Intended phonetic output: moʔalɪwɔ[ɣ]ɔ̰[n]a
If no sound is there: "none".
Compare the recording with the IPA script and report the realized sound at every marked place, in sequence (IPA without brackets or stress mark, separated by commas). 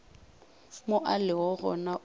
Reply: ɣ, n